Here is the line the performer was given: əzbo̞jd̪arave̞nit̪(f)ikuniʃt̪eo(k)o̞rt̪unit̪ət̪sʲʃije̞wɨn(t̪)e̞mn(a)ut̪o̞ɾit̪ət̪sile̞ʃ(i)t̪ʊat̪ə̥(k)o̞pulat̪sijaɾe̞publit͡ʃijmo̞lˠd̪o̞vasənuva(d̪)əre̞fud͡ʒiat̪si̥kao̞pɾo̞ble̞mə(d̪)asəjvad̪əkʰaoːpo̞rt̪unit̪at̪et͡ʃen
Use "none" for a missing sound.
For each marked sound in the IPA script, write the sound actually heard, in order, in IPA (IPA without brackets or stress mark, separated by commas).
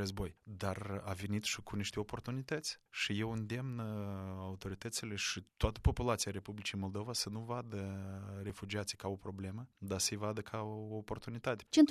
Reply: ʃ, p, d̪, a, i, p, d̪, d̪